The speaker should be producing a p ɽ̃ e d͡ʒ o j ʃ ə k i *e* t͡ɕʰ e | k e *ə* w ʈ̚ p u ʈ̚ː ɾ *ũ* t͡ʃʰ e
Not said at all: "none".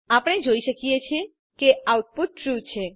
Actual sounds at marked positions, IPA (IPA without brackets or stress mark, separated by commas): e, a, u